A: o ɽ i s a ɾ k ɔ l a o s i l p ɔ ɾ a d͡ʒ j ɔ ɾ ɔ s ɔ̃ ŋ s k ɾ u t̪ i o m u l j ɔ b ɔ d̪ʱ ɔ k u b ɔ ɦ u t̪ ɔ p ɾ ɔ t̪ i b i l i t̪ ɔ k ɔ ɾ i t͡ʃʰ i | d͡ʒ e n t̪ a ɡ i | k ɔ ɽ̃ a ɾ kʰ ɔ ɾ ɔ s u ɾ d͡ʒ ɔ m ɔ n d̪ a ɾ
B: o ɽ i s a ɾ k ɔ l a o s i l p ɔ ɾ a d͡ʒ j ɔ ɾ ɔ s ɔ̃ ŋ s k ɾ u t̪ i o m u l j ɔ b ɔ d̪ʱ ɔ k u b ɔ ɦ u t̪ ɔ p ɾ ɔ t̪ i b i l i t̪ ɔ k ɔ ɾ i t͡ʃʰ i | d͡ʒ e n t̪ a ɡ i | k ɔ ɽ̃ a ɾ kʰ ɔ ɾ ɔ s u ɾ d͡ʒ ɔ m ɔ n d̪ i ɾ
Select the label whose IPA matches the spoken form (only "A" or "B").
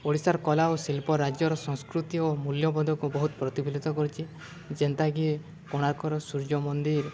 B